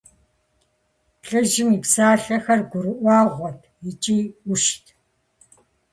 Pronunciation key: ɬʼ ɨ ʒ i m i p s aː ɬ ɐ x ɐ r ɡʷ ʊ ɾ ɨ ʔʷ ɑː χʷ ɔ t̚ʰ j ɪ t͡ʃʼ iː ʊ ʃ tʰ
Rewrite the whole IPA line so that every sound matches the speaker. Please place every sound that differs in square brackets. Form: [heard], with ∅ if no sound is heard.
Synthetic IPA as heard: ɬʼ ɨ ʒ [ɪ] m i p s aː ɬ ɐ x ɐ r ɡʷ ʊ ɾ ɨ ʔʷ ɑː [ʁʷ] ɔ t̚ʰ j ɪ t͡ʃʼ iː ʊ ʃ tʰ